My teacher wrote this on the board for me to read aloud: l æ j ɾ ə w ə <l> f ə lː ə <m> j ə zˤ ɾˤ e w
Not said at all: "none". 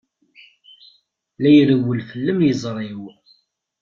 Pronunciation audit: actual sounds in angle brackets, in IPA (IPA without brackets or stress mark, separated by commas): l, m